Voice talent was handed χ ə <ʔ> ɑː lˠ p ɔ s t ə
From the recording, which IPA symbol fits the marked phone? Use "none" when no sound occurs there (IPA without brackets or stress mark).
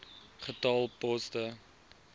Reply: t